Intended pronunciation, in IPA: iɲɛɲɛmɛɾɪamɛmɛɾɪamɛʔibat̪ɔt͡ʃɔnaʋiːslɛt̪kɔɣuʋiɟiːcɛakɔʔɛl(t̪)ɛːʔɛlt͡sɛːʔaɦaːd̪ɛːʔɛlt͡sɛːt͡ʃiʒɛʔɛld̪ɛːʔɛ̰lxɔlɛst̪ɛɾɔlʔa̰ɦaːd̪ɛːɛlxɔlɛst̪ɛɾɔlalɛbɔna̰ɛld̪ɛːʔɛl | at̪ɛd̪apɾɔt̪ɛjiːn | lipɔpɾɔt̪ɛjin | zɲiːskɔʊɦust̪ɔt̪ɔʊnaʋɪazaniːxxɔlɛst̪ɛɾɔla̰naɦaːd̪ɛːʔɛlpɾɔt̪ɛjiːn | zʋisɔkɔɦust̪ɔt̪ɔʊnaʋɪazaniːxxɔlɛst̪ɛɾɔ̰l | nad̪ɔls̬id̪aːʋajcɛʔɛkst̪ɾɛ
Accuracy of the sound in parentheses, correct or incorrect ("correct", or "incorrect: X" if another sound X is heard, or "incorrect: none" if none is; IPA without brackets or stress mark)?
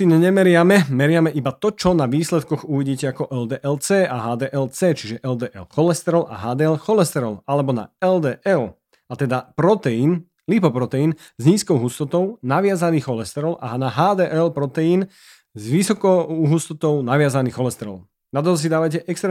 incorrect: d̪